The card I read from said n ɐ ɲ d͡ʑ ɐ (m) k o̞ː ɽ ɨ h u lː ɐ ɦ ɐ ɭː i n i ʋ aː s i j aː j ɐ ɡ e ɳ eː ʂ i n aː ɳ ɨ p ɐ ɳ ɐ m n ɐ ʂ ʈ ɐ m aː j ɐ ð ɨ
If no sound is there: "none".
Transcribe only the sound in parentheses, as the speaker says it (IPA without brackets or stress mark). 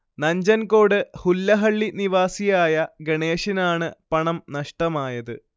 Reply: n